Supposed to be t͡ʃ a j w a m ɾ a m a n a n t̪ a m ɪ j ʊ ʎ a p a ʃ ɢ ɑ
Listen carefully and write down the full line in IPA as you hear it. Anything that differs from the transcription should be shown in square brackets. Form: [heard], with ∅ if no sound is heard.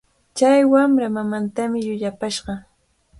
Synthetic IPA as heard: t͡ʃ a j w a m ɾ a m a [m] a n t̪ a m ɪ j ʊ ʎ a p a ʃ ɢ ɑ